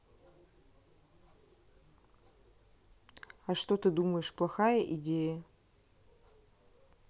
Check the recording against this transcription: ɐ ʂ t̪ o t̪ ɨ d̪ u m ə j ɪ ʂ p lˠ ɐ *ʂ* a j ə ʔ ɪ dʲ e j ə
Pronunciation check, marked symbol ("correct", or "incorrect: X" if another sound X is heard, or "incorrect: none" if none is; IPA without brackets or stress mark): incorrect: x